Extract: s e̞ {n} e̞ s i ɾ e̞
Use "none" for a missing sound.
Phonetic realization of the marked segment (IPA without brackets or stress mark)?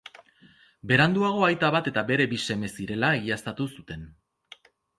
m